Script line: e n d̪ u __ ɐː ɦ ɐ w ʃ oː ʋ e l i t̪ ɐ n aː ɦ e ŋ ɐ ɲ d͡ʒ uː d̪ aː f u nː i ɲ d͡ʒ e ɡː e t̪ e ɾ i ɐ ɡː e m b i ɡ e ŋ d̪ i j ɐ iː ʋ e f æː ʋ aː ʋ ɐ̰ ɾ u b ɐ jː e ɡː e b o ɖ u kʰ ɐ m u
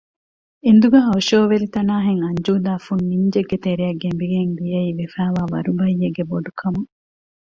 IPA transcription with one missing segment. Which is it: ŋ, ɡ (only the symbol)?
ɡ